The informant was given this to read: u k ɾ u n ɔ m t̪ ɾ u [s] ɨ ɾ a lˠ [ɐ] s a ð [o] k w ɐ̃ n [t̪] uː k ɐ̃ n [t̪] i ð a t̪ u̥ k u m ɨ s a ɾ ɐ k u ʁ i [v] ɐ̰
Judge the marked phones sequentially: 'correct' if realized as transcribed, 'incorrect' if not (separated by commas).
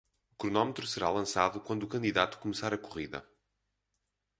correct, incorrect, incorrect, incorrect, incorrect, incorrect